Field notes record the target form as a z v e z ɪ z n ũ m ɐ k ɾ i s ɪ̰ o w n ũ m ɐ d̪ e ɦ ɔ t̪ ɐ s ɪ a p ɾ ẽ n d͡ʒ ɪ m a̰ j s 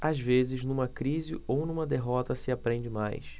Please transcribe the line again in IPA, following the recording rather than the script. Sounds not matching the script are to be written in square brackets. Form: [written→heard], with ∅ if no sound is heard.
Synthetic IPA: a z v e z ɪ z n ũ m ɐ k ɾ i [s→z] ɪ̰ o w n ũ m ɐ d̪ e ɦ ɔ t̪ ɐ s ɪ a p ɾ ẽ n d͡ʒ ɪ m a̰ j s